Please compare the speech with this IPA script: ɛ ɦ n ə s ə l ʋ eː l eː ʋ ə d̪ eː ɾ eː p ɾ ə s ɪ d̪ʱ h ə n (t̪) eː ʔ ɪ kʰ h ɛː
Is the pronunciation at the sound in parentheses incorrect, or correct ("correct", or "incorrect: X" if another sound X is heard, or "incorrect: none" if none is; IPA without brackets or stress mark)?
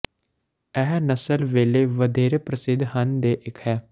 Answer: incorrect: d̪